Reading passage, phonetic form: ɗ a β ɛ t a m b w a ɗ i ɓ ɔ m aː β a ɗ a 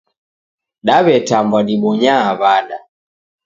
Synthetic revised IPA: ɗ a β ɛ t a m b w a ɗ i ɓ ɔ ɲ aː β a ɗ a